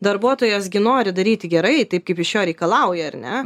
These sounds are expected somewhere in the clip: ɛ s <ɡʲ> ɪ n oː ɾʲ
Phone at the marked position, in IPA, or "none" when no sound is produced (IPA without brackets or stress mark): ɡʲ